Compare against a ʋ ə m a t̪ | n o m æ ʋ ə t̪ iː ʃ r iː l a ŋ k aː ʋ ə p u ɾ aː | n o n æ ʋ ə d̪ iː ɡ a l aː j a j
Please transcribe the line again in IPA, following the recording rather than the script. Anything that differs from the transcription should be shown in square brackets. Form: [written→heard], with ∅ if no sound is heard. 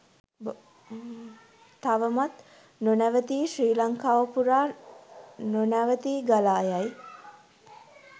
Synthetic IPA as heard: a ʋ ə m a t̪ | n o [m→n] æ ʋ ə t̪ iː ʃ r iː l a ŋ k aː ʋ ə p u ɾ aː | n o n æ ʋ ə [d̪→t̪] iː ɡ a l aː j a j